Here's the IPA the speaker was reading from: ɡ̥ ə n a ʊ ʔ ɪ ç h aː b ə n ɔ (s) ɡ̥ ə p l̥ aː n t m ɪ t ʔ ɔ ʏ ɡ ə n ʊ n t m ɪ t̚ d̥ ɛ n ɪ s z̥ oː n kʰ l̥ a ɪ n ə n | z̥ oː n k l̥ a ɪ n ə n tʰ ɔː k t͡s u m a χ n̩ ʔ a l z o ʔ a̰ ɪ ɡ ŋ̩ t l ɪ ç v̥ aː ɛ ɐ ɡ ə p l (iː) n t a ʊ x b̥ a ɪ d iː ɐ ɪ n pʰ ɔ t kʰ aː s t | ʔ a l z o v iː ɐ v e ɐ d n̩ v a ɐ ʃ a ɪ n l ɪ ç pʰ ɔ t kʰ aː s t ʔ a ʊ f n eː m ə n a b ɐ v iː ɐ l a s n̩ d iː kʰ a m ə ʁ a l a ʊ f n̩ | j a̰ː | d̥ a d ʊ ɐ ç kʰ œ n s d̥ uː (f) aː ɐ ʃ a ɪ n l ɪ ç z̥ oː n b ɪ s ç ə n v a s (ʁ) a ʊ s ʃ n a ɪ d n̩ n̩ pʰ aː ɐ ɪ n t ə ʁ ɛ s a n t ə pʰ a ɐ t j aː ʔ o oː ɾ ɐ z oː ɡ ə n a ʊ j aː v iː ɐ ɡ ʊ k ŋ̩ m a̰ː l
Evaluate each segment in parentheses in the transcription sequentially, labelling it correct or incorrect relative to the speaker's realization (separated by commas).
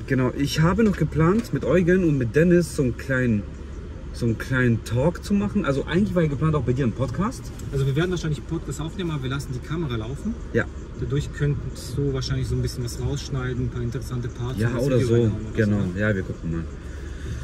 incorrect, incorrect, incorrect, correct